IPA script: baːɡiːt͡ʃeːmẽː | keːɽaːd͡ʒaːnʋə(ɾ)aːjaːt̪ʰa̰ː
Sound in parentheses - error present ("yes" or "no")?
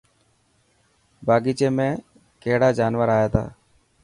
no